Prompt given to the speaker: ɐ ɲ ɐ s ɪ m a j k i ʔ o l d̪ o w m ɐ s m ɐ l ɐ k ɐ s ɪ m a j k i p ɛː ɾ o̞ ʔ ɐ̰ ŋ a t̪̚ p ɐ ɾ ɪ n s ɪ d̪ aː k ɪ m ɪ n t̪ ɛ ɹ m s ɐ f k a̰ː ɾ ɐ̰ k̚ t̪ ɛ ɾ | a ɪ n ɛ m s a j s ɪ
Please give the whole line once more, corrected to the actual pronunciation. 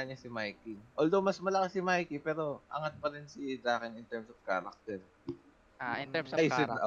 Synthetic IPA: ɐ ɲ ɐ s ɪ m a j k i ʔ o l d̪ o w m ɐ s m ɐ l ɐ k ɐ s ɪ m a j k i p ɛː ɾ o̞ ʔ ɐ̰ ŋ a t̪̚ p ɐ ɾ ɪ n s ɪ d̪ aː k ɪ n ɪ n t̪ ɛ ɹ m s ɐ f k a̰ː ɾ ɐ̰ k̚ t̪ ɛ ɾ | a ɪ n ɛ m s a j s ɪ